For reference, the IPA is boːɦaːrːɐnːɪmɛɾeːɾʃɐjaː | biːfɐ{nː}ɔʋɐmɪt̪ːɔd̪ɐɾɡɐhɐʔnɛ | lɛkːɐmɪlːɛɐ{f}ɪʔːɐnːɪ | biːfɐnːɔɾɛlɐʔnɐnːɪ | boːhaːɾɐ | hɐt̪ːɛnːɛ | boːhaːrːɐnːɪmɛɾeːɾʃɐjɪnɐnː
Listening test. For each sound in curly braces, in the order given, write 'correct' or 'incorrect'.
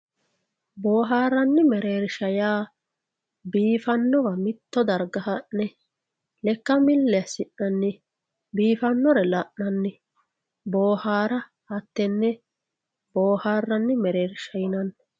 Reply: correct, incorrect

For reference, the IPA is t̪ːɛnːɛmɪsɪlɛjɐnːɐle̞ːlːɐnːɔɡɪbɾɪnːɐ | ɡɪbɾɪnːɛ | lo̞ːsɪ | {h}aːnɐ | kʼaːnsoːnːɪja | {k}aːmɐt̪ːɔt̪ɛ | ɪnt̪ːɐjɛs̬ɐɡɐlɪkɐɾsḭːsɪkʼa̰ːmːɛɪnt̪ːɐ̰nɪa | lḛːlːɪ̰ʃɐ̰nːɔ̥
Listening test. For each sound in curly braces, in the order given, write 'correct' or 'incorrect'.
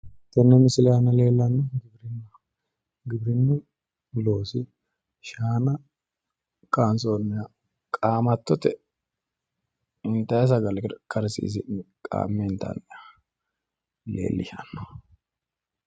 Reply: incorrect, incorrect

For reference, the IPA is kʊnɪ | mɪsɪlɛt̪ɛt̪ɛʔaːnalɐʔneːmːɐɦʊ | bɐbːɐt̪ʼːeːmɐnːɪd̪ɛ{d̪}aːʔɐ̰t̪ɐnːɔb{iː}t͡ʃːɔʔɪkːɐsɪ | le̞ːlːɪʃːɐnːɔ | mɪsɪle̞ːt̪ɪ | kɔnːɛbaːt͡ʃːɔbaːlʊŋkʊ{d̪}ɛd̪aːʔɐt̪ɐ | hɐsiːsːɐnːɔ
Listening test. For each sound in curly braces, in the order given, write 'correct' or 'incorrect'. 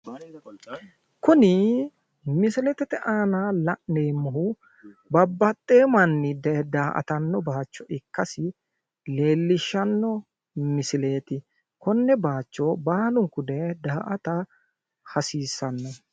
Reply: correct, incorrect, correct

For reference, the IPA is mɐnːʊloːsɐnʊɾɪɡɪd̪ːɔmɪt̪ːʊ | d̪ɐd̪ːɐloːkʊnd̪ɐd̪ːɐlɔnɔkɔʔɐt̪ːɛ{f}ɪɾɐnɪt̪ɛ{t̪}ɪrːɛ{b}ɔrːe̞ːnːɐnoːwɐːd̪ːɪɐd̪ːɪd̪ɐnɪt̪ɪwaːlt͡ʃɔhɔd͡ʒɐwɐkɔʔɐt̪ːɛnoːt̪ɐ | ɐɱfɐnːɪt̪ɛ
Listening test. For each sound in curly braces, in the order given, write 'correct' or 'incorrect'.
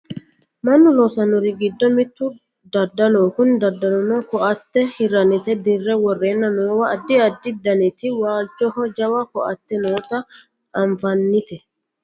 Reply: incorrect, incorrect, incorrect

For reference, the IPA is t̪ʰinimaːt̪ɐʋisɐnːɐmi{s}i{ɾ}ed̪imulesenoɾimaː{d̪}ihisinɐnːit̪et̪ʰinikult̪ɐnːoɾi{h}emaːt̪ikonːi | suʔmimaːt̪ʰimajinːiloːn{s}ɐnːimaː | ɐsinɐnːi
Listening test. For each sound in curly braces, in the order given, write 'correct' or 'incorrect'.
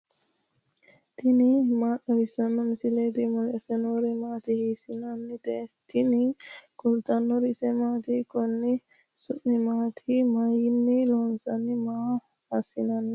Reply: correct, incorrect, incorrect, incorrect, correct

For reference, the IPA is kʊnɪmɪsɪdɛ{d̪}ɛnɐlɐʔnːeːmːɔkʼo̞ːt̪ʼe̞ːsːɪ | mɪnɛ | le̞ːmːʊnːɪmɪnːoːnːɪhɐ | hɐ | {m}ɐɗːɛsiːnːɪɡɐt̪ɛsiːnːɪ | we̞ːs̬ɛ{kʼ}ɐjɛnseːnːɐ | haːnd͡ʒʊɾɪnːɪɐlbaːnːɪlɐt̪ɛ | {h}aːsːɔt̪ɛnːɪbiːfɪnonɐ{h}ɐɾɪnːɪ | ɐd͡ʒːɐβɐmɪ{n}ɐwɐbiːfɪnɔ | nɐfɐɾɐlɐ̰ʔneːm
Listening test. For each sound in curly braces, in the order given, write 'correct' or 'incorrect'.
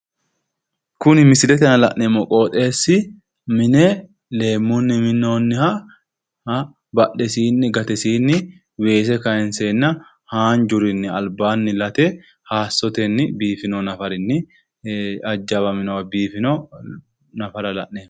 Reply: incorrect, incorrect, incorrect, correct, incorrect, correct

